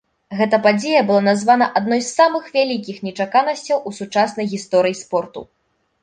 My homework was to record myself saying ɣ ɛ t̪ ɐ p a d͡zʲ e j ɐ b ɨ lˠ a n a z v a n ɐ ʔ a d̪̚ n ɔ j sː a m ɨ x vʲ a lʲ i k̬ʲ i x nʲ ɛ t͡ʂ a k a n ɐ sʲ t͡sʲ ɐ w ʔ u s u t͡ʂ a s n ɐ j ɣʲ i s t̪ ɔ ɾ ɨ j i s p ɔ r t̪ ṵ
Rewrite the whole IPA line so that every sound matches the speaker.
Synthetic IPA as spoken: ɣ ɛ t̪ ɐ p a d͡zʲ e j ɐ b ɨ lˠ a n a z v a n ɐ ʔ a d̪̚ n ɔ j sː a m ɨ x vʲ a lʲ i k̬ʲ i x nʲ ɛ t͡ʂ a k a n ɐ sʲ t͡sʲ ɐ w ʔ u s u t͡ʂ a s n ɐ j ɣʲ i s t̪ ɔ ɾ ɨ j i s p ɔ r t̪ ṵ